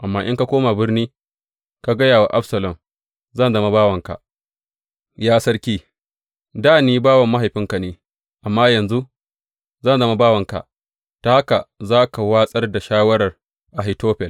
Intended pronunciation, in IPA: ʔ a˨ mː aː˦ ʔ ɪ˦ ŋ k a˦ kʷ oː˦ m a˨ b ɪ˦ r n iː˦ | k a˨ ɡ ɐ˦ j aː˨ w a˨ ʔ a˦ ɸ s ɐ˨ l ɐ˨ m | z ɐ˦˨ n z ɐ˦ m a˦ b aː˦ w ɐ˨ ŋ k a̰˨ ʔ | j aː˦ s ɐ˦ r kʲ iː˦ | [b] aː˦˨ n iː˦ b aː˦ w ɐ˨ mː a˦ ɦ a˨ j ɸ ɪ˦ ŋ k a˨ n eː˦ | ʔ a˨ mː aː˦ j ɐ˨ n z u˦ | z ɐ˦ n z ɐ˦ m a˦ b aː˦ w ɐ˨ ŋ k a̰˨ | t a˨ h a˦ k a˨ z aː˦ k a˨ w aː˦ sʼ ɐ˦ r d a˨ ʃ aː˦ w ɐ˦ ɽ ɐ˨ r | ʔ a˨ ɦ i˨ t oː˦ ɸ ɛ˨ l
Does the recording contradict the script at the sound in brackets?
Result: yes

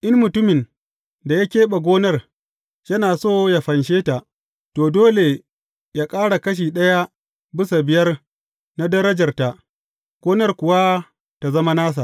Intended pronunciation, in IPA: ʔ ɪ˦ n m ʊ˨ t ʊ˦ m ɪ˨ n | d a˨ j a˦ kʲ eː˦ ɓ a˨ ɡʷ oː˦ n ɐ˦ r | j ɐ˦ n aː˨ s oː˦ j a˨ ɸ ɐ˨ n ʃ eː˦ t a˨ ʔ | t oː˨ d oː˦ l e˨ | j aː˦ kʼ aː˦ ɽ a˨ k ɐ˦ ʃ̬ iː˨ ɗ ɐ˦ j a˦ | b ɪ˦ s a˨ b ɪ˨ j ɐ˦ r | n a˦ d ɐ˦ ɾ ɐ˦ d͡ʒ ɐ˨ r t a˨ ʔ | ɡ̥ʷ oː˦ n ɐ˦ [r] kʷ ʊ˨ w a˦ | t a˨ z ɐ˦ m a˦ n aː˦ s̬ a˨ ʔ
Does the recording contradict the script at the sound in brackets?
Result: no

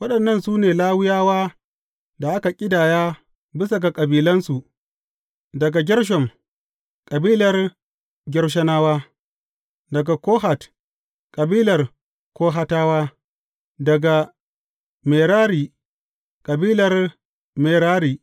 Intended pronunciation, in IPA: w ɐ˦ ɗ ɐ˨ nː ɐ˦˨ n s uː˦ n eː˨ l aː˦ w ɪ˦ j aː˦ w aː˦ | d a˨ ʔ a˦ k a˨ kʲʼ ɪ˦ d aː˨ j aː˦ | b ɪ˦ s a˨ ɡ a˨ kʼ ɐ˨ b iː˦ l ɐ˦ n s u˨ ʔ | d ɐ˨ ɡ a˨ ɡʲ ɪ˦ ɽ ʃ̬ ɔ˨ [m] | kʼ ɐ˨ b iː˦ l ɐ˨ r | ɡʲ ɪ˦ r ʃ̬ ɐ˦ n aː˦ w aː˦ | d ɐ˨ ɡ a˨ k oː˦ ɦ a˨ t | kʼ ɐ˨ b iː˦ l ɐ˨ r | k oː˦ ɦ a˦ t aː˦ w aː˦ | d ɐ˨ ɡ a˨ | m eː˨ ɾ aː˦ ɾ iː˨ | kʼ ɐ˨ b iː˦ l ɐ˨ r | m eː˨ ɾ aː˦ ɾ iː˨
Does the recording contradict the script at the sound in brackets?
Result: no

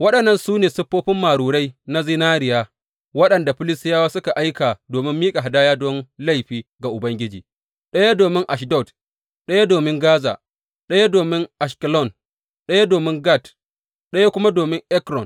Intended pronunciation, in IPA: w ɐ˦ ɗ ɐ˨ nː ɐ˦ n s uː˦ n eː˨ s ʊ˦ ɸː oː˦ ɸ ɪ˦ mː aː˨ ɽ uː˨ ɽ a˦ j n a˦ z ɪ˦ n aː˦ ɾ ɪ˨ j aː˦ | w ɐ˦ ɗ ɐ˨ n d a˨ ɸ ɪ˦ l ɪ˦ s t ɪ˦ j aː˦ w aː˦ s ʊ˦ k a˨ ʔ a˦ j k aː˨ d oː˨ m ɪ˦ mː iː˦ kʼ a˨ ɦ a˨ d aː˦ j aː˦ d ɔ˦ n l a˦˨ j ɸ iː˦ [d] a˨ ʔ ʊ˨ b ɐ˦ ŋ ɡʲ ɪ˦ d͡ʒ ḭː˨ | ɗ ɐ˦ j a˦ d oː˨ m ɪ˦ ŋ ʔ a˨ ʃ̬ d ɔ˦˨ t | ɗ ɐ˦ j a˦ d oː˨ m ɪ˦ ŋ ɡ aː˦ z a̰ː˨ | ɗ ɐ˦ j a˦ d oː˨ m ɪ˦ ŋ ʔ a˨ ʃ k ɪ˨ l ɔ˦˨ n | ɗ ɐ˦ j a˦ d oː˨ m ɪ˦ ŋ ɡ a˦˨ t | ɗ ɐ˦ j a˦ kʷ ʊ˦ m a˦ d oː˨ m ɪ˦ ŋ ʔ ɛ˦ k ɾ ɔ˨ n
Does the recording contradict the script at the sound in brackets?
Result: yes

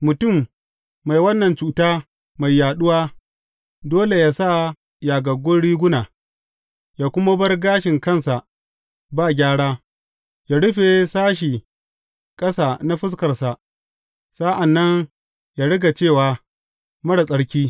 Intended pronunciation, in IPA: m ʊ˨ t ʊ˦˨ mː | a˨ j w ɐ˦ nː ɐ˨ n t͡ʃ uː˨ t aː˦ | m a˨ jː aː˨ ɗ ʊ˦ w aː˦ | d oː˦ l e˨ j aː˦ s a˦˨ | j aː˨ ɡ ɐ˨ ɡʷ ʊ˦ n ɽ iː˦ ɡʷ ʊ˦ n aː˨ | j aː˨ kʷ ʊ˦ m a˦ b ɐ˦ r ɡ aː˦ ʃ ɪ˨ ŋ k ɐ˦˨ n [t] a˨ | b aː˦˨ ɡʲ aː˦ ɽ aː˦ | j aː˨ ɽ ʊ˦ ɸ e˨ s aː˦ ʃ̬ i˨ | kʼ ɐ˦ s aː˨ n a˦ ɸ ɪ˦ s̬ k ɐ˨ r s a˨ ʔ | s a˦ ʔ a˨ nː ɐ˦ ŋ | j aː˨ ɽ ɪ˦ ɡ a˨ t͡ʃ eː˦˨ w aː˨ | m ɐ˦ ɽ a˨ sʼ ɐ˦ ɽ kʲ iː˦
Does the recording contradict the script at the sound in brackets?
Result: yes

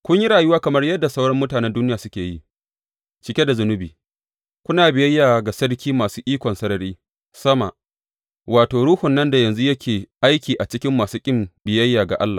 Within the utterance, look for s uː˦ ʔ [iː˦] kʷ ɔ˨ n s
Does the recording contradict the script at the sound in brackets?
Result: no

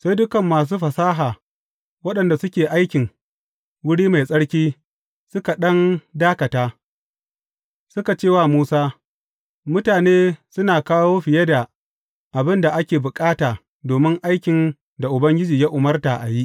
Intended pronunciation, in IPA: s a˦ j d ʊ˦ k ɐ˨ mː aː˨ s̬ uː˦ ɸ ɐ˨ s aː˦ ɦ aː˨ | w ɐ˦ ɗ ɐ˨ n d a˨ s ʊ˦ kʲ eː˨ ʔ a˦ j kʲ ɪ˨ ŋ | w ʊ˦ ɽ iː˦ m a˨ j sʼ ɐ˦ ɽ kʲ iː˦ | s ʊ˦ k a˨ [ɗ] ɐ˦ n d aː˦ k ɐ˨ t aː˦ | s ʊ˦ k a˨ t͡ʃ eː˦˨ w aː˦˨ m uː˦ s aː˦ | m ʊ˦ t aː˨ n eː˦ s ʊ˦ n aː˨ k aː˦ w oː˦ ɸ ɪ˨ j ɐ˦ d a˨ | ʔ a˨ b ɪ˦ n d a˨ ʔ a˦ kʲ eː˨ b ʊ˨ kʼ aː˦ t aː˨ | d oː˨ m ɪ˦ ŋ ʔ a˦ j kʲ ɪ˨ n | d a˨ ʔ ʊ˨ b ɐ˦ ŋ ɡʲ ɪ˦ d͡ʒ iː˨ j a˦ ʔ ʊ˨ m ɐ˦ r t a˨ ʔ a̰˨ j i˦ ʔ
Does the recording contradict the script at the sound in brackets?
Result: no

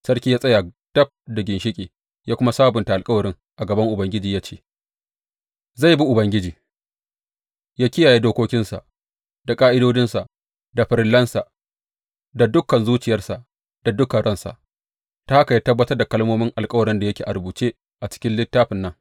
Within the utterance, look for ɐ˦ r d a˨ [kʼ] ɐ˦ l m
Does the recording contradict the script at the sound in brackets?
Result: yes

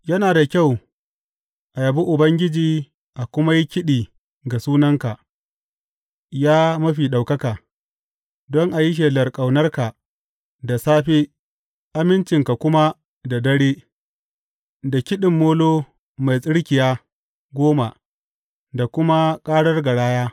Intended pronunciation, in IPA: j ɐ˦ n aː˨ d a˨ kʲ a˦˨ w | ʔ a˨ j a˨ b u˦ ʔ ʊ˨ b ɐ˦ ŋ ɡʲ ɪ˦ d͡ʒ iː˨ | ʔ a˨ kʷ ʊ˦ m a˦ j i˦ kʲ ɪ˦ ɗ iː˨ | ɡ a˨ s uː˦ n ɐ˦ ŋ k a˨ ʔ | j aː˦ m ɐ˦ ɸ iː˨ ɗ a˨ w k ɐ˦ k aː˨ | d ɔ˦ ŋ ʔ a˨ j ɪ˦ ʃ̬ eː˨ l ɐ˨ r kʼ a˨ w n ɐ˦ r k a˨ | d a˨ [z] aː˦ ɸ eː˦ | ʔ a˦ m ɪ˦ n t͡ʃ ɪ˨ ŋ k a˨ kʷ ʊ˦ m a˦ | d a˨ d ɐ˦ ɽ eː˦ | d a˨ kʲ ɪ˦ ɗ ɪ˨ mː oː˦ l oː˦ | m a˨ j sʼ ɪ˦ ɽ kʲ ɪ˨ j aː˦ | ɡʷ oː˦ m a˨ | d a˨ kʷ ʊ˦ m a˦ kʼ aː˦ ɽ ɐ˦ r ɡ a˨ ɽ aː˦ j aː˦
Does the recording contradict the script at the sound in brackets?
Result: yes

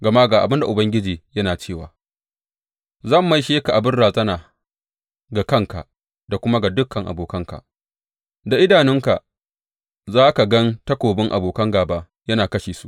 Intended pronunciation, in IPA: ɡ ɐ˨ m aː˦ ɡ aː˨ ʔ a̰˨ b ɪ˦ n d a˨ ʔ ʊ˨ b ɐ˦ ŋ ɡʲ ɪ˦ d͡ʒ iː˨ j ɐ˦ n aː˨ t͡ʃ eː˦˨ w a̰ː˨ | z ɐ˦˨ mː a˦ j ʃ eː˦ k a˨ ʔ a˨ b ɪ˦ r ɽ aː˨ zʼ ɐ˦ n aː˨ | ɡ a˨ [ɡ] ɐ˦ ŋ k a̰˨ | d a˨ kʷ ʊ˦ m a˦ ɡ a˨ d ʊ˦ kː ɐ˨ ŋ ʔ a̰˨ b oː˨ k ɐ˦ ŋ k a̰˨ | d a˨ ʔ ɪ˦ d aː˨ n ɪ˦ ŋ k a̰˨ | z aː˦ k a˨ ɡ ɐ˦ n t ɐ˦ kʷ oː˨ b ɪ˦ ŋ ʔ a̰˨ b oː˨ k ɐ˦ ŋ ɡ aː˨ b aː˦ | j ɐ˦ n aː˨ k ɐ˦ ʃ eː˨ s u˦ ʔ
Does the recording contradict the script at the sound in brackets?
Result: yes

